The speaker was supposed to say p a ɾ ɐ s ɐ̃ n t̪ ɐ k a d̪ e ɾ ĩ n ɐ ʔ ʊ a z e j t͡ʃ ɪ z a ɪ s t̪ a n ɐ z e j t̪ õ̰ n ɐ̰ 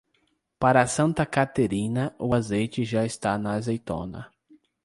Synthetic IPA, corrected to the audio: p a ɾ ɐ s ɐ̃ n t̪ ɐ k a t̪ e ɾ ĩ n ɐ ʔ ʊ a z e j t͡ʃ ɪ ʒ a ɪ s t̪ a n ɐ z e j t̪ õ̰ n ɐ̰